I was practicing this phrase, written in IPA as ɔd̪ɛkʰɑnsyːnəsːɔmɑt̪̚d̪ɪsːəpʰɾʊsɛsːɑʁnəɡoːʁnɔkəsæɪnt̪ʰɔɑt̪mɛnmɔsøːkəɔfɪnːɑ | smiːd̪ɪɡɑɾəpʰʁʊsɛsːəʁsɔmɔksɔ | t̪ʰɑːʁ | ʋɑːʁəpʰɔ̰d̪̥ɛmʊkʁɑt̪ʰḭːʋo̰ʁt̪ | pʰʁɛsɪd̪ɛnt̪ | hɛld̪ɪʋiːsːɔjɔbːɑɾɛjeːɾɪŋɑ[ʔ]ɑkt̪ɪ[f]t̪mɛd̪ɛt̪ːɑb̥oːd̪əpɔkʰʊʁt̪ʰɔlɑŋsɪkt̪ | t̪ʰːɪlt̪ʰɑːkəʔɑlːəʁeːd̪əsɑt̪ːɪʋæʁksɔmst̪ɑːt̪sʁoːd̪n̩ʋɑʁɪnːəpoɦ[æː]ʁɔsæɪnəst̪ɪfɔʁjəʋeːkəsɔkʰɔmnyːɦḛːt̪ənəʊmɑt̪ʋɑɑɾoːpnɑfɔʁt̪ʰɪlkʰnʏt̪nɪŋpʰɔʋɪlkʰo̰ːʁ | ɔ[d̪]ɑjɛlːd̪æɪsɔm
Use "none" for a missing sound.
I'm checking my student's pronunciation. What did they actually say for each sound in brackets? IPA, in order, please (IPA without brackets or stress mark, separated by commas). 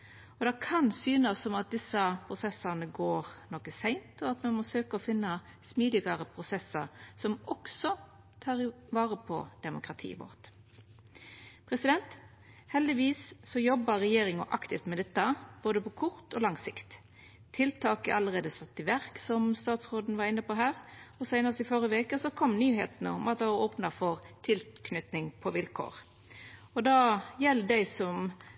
ʔ, f, æː, d̪